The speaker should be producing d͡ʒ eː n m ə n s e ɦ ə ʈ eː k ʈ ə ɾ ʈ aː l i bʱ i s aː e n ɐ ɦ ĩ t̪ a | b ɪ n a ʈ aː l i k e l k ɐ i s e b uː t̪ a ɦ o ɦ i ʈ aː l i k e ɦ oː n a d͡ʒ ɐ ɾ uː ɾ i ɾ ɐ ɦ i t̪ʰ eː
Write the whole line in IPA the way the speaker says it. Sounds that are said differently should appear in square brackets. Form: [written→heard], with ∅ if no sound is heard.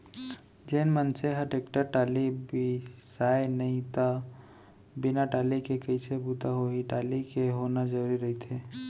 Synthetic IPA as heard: d͡ʒ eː n m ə n s e ɦ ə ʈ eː k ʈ ə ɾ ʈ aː l i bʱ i s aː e n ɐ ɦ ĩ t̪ a | b ɪ n a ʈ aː l i k e [l→∅] k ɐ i s e b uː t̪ a ɦ o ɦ i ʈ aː l i k e ɦ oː n a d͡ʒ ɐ ɾ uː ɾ i ɾ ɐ ɦ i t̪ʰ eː